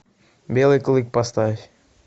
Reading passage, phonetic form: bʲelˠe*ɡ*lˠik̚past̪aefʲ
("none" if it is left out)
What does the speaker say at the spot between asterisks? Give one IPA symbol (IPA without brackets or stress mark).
k